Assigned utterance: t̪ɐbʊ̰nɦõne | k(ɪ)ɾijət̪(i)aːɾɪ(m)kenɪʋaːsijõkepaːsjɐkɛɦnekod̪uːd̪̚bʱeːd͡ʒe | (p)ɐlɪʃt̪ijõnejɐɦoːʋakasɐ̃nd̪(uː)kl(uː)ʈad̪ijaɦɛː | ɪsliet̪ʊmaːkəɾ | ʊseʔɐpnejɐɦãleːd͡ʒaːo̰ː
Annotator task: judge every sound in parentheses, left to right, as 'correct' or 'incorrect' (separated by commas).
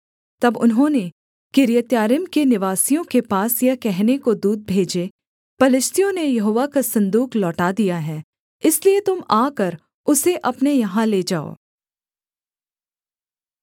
correct, incorrect, correct, correct, correct, incorrect